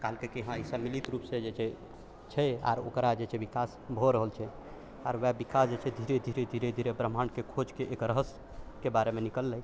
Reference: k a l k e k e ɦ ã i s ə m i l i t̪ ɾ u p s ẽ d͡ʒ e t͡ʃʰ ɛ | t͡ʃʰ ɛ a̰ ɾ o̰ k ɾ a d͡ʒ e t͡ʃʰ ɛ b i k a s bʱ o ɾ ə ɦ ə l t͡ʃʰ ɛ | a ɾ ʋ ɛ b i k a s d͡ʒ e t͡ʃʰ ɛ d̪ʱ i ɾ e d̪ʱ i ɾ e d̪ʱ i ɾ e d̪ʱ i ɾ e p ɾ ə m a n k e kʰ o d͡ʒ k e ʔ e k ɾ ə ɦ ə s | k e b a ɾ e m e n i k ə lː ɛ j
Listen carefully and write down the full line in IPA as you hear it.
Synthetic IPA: k a l k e k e ɦ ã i s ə m i l i t̪ ɾ u p s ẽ d͡ʒ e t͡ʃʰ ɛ | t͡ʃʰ ɛ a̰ ɾ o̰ k ɾ a d͡ʒ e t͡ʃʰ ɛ b i k a s bʱ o ɾ ə ɦ ə l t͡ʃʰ ɛ | a ɾ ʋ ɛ b i k a s d͡ʒ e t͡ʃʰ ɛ d̪ʱ i ɾ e d̪ʱ i ɾ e d̪ʱ i ɾ e d̪ʱ i ɾ e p ɾ ə m a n k e kʰ o d͡ʒ k e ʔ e k ɾ ə ɦ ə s | k e b a ɾ e m e n i k ə lː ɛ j